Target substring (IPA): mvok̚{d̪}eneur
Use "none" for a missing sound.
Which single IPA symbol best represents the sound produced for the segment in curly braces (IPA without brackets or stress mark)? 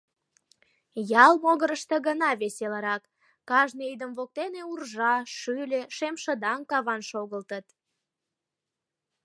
t̪